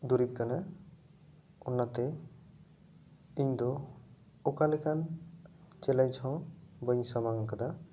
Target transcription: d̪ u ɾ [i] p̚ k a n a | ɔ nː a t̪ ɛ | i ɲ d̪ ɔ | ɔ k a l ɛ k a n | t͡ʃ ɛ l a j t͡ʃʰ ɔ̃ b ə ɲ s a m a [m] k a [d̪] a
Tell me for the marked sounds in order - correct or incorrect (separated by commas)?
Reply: correct, incorrect, correct